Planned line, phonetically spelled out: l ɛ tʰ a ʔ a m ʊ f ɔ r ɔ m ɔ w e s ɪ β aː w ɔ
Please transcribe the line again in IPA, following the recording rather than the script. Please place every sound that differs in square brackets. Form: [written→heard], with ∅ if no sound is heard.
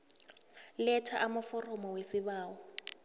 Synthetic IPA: l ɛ tʰ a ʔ a m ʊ f ɔ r ɔ m ɔ w e s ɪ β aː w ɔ